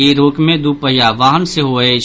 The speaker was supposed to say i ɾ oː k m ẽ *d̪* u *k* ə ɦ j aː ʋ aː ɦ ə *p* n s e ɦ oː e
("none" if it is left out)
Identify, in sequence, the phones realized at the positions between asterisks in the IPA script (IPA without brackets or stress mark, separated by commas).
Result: d̪, p, none